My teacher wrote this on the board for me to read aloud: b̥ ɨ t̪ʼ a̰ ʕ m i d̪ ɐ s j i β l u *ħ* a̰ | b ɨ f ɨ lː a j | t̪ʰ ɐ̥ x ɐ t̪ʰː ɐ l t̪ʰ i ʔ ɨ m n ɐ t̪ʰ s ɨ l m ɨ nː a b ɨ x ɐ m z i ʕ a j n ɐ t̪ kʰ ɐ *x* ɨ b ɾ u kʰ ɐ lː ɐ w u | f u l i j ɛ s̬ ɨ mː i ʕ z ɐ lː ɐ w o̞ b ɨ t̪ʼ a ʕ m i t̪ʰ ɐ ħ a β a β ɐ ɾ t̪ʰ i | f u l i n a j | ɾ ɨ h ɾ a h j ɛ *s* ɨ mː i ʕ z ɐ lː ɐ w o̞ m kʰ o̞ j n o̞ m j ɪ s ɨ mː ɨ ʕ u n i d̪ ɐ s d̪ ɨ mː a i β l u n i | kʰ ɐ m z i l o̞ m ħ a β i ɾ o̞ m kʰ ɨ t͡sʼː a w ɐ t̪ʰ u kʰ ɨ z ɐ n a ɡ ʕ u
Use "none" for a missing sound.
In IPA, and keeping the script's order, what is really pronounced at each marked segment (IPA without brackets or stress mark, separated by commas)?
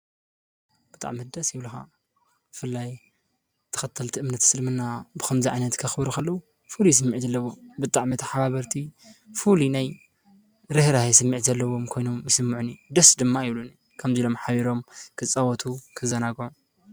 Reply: x, x, s